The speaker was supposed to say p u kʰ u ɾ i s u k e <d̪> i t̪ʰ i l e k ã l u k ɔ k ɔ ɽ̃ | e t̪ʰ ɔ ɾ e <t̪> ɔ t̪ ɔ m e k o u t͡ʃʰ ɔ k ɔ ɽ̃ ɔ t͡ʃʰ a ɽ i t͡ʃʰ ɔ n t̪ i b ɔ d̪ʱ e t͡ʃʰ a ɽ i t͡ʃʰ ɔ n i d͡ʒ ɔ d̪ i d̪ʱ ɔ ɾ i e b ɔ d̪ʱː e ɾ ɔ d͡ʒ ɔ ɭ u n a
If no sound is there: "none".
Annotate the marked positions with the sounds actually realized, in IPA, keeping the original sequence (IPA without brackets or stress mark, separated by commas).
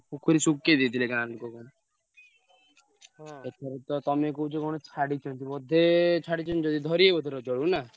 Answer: d̪, t̪